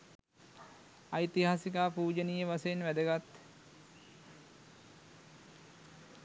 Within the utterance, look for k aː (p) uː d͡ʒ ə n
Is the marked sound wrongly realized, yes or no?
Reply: no